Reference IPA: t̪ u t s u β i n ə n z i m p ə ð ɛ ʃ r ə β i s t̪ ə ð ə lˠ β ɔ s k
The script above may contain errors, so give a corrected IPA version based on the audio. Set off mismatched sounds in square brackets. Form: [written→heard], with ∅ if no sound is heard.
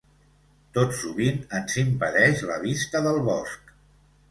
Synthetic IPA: t̪ [u→o] t s u β i n ə n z i m p ə ð ɛ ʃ [r→l] ə β i s t̪ ə ð ə lˠ β ɔ s k